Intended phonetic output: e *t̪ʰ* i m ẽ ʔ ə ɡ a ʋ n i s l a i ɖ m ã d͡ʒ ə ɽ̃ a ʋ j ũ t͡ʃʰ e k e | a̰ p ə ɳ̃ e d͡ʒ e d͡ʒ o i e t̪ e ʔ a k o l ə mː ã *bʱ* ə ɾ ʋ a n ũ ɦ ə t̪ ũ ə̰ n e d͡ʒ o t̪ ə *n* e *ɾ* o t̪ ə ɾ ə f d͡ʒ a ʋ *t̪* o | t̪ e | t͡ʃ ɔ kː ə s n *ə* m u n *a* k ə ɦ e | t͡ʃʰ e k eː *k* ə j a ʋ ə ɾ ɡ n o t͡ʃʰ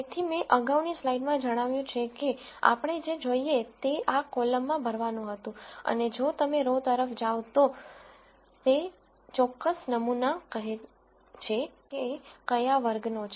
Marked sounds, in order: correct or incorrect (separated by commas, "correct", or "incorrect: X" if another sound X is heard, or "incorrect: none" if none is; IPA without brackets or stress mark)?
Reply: correct, correct, incorrect: m, correct, correct, correct, correct, correct